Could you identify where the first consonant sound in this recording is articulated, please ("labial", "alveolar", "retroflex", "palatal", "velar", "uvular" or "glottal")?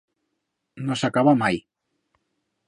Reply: alveolar